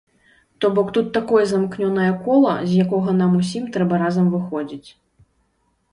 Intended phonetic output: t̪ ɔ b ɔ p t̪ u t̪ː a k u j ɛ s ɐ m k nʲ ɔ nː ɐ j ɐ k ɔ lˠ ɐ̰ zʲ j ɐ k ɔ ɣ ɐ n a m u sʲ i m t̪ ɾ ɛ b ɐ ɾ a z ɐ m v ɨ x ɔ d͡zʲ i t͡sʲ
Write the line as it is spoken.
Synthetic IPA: t̪ ɔ b ɔ k t̪ u t̪ː a k ɔ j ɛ z ɐ m k nʲ ɔ n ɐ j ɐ k ɔ lˠ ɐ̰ zʲ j a k ɔ ɣ ɐ n a m u sʲ i m t̪ ɾ ɛ b ɐ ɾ a z ɐ m v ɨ x ɔ d͡zʲ i t͡sʲ

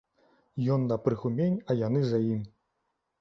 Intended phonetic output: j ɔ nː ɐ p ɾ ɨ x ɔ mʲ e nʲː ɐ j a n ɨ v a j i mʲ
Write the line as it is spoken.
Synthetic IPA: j ɔ nː ɐ p ɾ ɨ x u mʲ e nʲ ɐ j a n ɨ z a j i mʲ

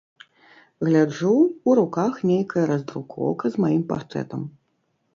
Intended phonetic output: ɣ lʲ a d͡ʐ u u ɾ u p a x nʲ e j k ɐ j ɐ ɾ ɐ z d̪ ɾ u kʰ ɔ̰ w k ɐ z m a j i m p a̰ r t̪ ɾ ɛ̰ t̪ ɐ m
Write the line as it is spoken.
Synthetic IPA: ɣ lʲ a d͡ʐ u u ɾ u k a x nʲ e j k ɐ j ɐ ɾ ɐ z d̪ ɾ u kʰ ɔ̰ w k ɐ z m a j i m p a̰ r t̪ ɾ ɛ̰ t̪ ɐ m

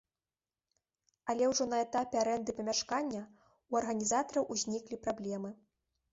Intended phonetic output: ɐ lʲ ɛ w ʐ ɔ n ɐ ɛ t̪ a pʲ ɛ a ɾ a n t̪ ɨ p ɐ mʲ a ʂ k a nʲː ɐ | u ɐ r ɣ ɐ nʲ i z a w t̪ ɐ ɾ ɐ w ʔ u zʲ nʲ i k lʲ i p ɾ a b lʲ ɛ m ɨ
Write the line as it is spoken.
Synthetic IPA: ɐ lʲ ɛ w ʐ ɔ n ɐ ɛ t̪ a pʲ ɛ a ɾ ɛ n d̪ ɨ p ɐ mʲ a ʂ k a nʲː ɐ | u ɐ r ɣ ɐ nʲ i z a t̪ ɐ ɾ ɐ w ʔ u zʲ nʲ i k lʲ i p ɾ a b lʲ ɛ m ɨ

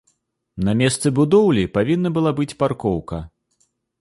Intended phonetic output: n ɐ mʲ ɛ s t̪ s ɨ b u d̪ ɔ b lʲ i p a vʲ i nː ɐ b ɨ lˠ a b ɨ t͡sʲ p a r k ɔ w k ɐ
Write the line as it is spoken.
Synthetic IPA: n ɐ mʲ ɛ s t̪ s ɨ b u d̪ ɔ w lʲ i p a vʲ i nː ɐ b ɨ lˠ a b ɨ t͡sʲ p a r k ɔ w k ɐ

